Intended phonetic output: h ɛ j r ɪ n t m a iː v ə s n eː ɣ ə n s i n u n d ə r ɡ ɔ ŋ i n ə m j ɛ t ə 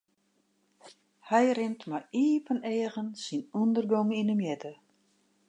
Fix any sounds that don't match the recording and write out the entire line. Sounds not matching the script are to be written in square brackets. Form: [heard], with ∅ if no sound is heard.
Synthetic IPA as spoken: h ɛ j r ɪ n t m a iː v ə [∅] n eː ɣ ə n s i n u n d ə r ɡ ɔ ŋ i n ə m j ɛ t ə